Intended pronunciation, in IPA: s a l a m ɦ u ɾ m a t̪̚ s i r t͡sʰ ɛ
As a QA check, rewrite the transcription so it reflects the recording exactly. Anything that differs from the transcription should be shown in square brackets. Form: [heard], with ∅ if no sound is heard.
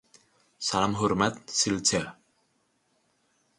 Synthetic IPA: s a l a m ɦ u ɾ m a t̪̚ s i [l] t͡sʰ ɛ